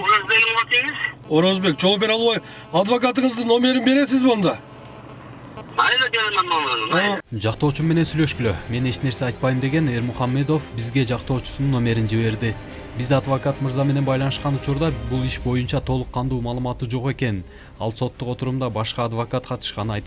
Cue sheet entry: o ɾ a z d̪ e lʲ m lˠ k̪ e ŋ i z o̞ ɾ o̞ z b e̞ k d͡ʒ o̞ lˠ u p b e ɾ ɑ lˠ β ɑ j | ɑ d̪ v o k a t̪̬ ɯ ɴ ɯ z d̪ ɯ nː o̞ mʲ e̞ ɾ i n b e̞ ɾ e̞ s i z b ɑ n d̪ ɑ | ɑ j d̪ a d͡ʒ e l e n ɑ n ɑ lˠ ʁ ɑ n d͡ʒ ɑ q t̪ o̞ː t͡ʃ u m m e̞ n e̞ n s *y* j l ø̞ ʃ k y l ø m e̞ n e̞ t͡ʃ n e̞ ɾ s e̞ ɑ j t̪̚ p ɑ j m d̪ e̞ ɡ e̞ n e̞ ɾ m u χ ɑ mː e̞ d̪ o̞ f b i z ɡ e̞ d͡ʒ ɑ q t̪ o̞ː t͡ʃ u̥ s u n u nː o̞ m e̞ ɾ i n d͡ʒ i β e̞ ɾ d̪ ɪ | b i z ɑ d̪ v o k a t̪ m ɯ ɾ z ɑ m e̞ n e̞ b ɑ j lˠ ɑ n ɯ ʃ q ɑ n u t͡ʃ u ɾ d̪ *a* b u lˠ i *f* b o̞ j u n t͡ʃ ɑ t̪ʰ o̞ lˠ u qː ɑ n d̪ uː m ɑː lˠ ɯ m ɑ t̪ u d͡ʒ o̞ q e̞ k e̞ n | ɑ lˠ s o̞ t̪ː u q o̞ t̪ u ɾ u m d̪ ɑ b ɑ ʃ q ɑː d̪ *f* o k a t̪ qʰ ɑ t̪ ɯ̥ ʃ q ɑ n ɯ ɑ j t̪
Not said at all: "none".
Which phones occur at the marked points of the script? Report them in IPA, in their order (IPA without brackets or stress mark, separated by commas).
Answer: y, ɑ, ʃ, v